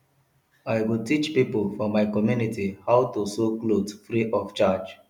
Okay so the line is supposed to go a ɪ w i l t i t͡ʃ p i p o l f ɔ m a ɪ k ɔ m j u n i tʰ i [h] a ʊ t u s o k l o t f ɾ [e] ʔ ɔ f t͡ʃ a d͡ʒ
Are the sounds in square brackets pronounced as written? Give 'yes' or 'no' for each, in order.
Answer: yes, no

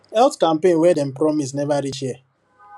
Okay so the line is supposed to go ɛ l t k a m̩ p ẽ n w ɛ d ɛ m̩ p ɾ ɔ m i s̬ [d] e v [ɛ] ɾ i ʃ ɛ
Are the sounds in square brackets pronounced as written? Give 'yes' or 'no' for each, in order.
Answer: no, no

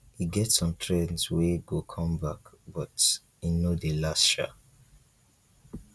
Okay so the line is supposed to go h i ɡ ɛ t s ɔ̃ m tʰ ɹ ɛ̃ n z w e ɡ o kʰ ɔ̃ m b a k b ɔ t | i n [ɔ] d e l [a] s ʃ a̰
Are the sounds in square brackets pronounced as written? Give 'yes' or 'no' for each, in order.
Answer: no, yes

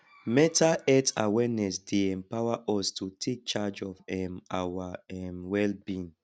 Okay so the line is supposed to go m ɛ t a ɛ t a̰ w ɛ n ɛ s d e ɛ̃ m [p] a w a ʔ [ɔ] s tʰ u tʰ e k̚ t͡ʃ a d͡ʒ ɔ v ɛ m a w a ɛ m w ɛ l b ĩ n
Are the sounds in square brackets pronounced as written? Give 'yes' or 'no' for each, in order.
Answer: yes, yes

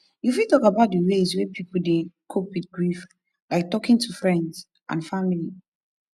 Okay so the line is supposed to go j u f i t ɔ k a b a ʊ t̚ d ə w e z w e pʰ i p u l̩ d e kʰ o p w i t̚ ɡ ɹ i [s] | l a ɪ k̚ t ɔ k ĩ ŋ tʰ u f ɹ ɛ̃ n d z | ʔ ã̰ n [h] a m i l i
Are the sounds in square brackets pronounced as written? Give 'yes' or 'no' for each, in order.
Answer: no, no

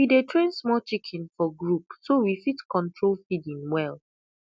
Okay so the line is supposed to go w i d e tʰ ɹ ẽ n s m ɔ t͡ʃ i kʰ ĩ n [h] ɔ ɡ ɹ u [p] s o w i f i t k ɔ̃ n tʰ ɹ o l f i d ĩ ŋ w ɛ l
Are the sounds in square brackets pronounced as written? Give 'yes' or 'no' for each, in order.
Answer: no, yes

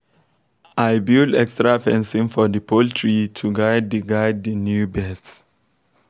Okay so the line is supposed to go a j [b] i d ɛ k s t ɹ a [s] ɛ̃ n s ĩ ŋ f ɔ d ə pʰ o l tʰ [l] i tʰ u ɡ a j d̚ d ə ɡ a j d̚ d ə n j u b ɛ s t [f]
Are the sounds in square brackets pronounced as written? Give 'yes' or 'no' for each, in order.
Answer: yes, no, no, no

